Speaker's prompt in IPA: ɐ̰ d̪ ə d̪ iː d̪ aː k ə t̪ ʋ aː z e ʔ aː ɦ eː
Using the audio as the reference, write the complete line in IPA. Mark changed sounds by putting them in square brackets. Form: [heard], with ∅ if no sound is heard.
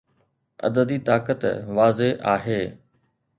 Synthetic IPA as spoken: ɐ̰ d̪ ə d̪ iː [t̪] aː k ə t̪ ʋ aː z e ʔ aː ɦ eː